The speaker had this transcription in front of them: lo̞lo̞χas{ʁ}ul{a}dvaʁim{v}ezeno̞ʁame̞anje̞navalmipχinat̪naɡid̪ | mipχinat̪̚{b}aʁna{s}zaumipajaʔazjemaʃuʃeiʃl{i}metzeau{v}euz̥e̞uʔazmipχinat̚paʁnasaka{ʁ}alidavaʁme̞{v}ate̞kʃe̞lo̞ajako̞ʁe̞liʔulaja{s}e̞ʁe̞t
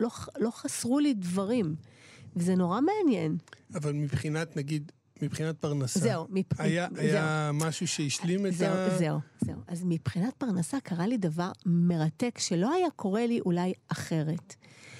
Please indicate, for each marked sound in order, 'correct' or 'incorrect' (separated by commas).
correct, incorrect, correct, incorrect, correct, correct, incorrect, correct, incorrect, incorrect